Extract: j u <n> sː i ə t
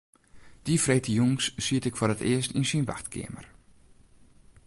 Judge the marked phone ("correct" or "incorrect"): incorrect